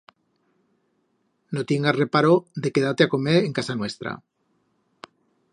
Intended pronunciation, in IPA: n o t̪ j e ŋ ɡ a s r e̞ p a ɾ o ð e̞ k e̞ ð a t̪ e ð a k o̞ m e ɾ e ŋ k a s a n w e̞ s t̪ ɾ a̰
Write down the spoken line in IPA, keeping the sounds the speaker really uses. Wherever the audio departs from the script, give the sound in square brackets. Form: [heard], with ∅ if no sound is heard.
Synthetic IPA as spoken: n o t̪ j e ŋ ɡ a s r e̞ p a ɾ o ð e̞ k e̞ ð a t̪ e [∅] a k o̞ m e ɾ e ŋ k a s a n w e̞ s t̪ ɾ a̰